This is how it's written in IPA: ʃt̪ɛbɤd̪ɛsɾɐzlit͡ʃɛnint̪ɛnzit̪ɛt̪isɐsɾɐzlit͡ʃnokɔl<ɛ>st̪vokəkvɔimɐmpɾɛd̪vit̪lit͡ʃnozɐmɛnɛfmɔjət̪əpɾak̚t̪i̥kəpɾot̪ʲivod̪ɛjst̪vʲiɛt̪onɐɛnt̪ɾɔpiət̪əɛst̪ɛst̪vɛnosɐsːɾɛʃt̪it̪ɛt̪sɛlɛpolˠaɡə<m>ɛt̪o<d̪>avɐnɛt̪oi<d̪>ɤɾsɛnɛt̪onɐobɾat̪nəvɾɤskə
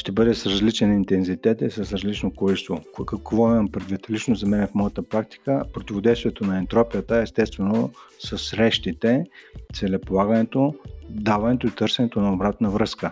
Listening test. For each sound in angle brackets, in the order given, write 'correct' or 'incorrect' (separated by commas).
incorrect, incorrect, correct, incorrect